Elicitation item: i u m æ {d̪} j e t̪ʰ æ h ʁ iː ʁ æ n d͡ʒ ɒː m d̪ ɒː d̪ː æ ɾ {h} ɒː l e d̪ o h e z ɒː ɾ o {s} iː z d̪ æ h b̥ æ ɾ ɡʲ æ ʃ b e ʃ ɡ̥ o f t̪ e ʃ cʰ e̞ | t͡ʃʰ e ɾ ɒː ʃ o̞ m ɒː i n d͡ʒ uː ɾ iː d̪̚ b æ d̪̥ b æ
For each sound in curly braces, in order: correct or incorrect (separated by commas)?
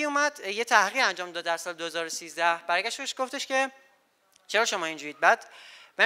correct, incorrect, correct